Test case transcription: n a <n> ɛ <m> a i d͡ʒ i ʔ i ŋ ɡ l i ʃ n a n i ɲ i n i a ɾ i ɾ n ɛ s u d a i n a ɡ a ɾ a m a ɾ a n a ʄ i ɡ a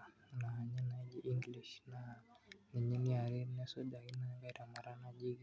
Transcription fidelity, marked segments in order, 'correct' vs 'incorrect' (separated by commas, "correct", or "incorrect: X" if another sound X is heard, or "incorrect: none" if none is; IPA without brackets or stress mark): incorrect: ɲ, incorrect: n